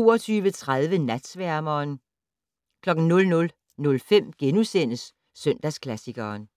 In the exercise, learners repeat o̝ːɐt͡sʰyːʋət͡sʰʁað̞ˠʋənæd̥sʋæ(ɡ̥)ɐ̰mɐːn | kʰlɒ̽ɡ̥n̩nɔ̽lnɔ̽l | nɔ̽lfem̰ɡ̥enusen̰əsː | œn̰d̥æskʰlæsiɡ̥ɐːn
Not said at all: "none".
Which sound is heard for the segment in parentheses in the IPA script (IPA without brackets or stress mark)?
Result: none